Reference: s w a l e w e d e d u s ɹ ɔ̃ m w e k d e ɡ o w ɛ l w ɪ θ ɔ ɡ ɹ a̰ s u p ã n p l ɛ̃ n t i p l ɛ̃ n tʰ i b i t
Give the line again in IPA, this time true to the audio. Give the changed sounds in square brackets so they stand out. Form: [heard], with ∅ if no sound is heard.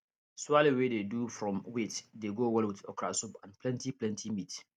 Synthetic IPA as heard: s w a l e w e d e d u [f] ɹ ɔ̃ m w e [t] d e ɡ o w ɛ l w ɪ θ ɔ [k] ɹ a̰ s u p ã n p l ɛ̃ n t i p l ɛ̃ n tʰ i [m] i t